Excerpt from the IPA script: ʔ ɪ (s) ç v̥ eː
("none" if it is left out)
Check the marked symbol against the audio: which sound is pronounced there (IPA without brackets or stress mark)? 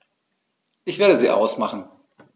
none